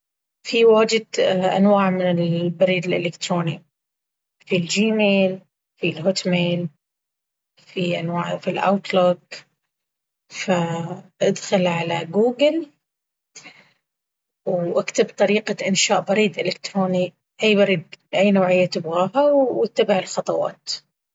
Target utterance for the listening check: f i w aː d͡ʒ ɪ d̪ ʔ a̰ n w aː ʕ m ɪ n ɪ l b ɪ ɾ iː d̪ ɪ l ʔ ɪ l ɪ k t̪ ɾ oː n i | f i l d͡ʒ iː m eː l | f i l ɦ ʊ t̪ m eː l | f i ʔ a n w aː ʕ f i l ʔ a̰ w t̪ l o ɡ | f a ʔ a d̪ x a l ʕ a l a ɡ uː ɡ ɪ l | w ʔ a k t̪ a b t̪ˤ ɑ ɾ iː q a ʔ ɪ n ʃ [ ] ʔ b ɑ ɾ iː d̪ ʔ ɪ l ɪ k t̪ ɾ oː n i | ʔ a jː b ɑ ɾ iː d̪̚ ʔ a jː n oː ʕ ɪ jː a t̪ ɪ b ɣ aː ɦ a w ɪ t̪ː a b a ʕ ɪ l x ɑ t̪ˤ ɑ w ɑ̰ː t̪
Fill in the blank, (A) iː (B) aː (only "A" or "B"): B